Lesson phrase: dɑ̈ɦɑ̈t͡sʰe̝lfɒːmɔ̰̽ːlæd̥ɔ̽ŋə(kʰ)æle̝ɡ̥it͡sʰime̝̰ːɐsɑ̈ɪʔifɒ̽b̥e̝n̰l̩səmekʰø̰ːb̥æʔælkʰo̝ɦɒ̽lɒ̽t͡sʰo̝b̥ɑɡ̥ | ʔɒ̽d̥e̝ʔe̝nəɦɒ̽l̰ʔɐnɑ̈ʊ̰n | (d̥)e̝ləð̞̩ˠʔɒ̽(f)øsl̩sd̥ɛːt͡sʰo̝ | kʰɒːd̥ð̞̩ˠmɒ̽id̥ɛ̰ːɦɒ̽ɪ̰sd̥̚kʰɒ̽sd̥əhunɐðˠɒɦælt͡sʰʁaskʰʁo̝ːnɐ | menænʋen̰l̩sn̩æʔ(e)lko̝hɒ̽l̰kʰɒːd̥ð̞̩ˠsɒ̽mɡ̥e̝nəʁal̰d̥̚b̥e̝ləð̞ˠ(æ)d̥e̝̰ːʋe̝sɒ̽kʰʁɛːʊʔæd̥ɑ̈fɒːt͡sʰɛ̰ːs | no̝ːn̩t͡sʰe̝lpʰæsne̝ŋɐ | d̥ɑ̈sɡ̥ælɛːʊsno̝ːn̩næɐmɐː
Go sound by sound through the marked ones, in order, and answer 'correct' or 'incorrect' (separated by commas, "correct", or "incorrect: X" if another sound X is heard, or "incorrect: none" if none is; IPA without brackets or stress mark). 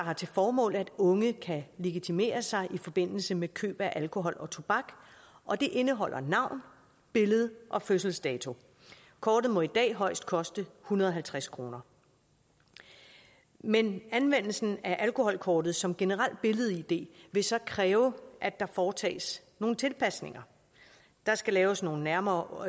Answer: correct, incorrect: b̥, correct, incorrect: æ, incorrect: i